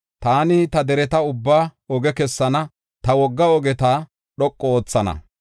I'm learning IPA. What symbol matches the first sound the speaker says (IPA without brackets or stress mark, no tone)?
t̪